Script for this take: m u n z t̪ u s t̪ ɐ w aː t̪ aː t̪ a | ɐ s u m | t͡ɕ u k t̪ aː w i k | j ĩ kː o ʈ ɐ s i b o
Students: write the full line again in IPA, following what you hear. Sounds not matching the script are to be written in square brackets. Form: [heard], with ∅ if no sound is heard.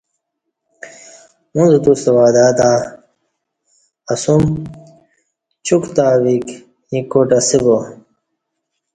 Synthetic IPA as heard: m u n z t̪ u s t̪ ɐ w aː [d̪] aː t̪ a | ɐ s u m | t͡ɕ u k t̪ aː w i k | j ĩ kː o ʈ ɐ s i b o